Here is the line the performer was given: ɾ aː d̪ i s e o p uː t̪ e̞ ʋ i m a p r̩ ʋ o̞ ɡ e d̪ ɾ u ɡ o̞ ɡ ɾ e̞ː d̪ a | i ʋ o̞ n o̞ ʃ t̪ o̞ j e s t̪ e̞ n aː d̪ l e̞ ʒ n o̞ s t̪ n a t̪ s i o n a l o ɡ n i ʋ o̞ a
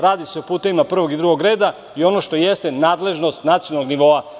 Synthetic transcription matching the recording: ɾ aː d̪ i s e o p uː t̪ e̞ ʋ i m a p r̩ ʋ o̞ ɡ i d̪ ɾ u ɡ o̞ ɡ ɾ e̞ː d̪ a | i o̞ n o̞ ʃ t̪ o̞ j e s t̪ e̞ n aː d̪ l e̞ ʒ n o̞ s t̪ n a t̪ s i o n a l o ɡ n i ʋ o̞ a